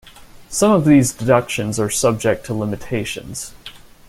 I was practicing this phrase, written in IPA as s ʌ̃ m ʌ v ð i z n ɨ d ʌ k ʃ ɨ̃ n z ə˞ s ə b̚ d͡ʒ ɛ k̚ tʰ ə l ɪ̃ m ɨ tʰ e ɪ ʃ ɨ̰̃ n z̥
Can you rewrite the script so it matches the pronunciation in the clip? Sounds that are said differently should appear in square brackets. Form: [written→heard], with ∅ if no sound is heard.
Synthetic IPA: s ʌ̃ m ʌ v ð i z [n→d] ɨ d ʌ k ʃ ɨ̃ n z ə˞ s [ə→ʌ] b̚ d͡ʒ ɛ k̚ tʰ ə l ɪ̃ m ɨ tʰ e ɪ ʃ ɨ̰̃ n z̥